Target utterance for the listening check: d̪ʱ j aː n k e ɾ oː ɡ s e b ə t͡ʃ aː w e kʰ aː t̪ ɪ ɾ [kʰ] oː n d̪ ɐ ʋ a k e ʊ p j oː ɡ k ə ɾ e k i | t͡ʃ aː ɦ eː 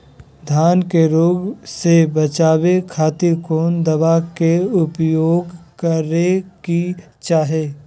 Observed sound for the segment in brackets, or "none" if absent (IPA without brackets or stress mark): k